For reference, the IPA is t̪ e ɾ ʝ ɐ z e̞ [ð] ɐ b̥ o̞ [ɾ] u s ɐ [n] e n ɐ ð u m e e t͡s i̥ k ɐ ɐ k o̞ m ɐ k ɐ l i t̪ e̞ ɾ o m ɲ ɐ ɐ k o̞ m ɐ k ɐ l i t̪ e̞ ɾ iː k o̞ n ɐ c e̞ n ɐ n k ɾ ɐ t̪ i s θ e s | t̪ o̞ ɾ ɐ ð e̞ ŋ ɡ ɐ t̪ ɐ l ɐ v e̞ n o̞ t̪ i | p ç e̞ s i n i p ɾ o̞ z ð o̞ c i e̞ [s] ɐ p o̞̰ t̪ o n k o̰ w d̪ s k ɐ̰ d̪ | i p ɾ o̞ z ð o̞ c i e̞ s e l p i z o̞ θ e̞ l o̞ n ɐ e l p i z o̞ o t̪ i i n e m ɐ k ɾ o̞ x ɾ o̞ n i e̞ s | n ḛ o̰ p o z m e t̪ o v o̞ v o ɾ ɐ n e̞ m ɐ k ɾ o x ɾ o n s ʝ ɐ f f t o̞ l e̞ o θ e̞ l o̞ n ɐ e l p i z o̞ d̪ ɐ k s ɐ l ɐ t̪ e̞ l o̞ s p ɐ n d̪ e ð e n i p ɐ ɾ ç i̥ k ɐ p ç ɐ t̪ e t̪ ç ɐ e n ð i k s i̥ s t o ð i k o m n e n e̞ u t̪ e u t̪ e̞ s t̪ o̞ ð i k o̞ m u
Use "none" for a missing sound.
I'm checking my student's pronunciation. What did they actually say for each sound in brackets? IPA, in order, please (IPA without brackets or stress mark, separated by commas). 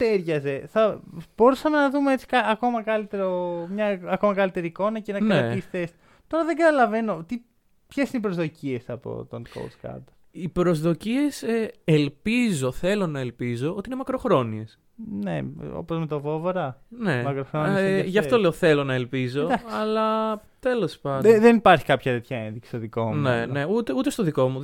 θ, ɾ, m, s